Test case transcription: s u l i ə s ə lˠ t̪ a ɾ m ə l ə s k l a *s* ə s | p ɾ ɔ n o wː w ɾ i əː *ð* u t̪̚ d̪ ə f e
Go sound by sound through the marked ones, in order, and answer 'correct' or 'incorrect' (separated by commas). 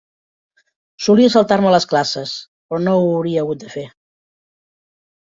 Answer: correct, incorrect